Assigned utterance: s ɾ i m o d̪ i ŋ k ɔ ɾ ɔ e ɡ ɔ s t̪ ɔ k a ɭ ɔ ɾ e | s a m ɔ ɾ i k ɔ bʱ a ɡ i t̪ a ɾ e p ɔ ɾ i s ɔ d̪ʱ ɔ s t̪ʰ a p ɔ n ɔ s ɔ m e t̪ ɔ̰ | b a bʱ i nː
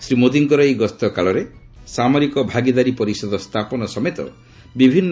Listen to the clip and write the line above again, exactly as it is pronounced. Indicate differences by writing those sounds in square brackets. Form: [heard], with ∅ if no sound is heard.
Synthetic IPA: s ɾ i m o d̪ i ŋ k ɔ ɾ ɔ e ɡ ɔ s t̪ ɔ k a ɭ ɔ ɾ e | s a m ɔ ɾ i k ɔ bʱ a ɡ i [d̪] a ɾ [i] p ɔ ɾ i s ɔ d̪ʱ ɔ s t̪ʰ a p ɔ n ɔ s ɔ m e t̪ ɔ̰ | b [i] bʱ i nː